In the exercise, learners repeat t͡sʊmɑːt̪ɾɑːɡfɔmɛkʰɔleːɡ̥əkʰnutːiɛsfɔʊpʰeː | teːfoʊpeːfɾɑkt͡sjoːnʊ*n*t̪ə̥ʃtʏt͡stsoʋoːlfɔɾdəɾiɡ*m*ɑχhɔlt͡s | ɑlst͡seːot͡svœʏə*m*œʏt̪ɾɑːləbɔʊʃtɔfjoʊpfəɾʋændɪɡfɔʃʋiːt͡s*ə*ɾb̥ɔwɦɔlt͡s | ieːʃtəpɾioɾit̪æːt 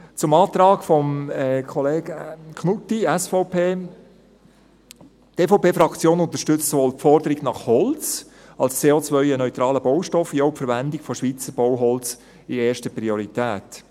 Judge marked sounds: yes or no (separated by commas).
yes, no, no, yes